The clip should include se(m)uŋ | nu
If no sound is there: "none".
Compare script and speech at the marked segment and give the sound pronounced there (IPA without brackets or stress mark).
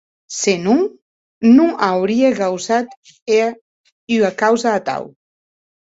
n